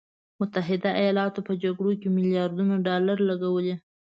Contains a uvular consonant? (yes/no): no